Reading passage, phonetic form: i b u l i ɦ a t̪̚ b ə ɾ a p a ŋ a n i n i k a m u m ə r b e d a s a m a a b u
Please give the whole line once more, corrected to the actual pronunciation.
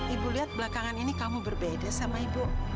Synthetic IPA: i b u l i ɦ a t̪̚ b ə l a k a ŋ a n i n i k a m u b ə r b e d a s a m a i b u